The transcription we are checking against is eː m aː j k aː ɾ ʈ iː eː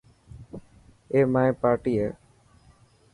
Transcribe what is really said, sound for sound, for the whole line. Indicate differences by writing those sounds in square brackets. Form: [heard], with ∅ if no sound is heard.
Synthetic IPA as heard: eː m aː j [p] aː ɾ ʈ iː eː